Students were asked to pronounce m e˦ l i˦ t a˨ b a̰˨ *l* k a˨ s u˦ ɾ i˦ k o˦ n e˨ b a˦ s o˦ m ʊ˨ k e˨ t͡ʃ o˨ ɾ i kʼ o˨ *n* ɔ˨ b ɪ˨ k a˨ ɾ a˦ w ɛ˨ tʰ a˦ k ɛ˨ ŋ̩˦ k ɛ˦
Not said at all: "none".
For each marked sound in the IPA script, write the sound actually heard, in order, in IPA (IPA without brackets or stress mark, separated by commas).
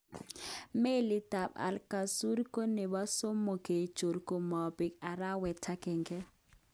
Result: l, m